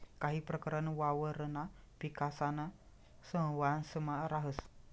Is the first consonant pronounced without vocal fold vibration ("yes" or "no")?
yes